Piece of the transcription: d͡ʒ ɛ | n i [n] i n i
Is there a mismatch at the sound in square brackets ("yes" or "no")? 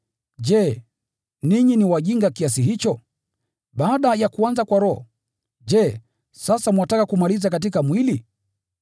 yes